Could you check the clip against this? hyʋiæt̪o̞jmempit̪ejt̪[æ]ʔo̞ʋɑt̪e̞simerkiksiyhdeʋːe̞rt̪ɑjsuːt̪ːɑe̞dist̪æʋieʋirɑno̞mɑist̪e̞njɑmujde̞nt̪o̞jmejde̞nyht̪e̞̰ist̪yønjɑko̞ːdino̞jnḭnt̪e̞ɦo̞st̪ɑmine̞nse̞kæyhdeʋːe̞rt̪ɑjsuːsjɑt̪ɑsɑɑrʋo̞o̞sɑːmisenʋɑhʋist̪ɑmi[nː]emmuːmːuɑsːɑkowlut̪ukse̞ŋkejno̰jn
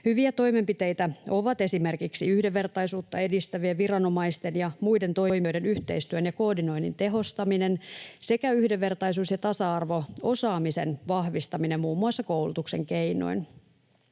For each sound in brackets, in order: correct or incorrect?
correct, incorrect: n

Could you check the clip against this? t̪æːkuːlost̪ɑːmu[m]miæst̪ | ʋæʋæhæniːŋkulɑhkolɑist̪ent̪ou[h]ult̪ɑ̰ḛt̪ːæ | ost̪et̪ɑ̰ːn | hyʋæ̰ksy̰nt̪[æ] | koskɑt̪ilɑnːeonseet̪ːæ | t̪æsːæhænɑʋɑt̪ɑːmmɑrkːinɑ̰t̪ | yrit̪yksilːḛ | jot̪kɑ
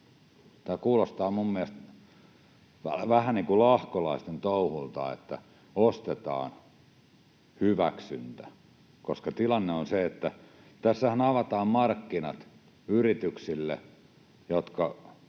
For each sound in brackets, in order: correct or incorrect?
correct, correct, correct

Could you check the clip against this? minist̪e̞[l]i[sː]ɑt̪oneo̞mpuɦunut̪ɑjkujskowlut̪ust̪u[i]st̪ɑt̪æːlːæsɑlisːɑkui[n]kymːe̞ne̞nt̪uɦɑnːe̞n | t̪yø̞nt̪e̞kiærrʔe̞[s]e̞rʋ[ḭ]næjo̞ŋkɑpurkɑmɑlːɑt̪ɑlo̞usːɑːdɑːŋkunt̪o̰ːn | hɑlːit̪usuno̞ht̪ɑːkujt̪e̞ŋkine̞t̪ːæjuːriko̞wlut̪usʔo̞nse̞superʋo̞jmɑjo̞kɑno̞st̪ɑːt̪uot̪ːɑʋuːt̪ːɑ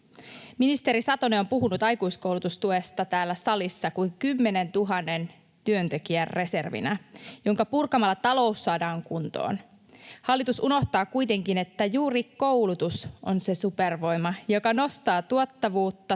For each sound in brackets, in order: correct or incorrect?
incorrect: ɾ, incorrect: s, incorrect: e, incorrect: ŋ, correct, correct

